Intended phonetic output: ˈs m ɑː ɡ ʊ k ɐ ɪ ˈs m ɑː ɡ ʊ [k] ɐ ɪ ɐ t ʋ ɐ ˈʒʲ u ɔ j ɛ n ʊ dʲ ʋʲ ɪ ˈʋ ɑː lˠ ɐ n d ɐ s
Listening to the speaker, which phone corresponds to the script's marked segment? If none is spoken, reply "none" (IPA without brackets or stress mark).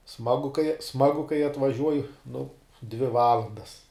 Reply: k